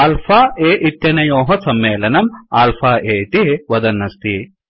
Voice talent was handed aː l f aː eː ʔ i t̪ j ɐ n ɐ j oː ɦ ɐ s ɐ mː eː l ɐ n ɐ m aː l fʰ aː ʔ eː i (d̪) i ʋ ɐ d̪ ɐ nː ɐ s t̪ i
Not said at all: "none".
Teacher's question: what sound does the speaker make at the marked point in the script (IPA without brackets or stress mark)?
t̪